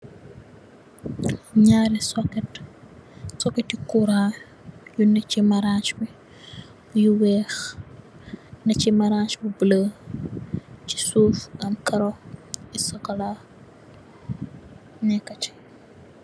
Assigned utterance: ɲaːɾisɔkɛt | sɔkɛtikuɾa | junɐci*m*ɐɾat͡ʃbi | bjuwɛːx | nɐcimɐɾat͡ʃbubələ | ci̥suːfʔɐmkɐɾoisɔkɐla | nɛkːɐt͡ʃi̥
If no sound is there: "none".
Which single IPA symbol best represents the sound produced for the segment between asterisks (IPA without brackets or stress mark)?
m